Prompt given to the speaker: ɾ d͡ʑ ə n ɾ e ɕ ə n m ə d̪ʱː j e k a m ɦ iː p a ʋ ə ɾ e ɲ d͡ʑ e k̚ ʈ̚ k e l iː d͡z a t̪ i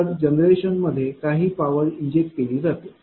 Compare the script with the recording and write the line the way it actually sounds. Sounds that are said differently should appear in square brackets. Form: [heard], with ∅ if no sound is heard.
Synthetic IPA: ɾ d͡ʑ ə n ɾ e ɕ ə n m ə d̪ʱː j e k a [∅] ɦ iː p a ʋ ə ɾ [i] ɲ d͡ʑ e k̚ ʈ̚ k e l iː d͡z a t̪ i